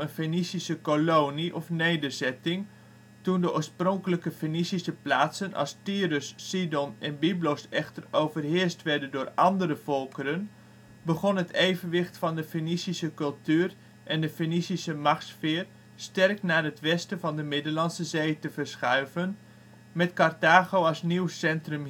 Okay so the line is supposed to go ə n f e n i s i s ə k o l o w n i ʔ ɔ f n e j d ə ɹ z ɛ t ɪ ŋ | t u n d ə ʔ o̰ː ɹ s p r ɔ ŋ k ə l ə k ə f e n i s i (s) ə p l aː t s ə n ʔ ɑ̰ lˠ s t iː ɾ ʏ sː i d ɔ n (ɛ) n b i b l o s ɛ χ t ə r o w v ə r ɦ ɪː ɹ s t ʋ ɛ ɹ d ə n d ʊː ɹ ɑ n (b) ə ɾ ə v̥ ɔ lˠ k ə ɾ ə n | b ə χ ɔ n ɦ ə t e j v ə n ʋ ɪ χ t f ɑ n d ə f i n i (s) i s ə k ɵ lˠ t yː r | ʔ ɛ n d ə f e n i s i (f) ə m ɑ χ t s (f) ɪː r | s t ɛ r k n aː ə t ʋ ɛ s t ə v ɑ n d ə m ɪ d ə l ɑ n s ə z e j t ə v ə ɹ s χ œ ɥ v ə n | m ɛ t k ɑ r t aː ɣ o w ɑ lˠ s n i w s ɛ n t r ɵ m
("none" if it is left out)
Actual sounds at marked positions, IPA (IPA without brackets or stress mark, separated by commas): s, ɛ, d, s, s, f